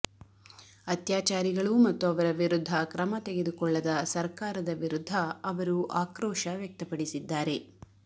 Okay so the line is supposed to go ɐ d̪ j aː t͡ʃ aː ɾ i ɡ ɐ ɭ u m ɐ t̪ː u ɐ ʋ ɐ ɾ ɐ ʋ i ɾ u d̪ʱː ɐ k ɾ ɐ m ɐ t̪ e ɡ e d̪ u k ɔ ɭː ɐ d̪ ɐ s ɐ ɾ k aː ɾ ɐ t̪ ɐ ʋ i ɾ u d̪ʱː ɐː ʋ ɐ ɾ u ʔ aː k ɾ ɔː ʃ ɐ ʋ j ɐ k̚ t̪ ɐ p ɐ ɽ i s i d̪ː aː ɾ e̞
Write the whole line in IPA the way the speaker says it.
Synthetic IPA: ɐ t̪ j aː t͡ʃ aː ɾ i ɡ ɐ ɭ u m ɐ t̪ː u ɐ ʋ ɐ ɾ ɐ ʋ i ɾ u d̪ʱː ɐ k ɾ ɐ m ɐ t̪ e ɡ e d̪ u k ɔ ɭː ɐ d̪ ɐ s ɐ ɾ k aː ɾ ɐ d̪ ɐ ʋ i ɾ u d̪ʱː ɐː ʋ ɐ ɾ u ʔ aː k ɾ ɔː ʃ ɐ ʋ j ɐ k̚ t̪ ɐ p ɐ ɽ i s i d̪ː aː ɾ e̞